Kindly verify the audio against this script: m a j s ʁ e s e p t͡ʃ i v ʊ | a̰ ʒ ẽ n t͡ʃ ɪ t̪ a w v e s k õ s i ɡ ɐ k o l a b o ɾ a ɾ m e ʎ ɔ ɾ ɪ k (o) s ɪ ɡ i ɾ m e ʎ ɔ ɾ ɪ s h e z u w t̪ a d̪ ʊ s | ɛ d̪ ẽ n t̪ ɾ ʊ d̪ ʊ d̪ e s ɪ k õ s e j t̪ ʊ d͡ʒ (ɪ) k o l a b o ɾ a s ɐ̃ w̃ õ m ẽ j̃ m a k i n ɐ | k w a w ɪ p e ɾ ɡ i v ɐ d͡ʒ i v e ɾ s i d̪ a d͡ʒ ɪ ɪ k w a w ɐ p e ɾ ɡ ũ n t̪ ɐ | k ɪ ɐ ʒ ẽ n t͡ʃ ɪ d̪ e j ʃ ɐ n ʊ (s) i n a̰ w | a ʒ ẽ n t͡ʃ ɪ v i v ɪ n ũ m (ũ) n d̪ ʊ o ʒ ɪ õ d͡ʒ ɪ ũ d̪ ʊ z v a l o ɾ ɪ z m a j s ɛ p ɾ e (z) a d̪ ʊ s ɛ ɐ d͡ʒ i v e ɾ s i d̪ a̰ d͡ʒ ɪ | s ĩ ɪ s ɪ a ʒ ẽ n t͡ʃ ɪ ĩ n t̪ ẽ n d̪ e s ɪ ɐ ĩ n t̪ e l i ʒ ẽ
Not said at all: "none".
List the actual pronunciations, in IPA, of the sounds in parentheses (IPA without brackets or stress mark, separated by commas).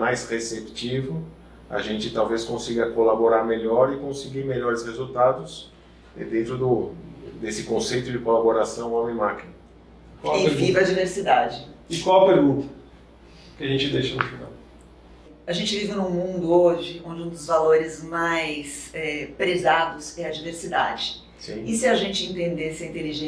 õ, ɪ, f, ũ, z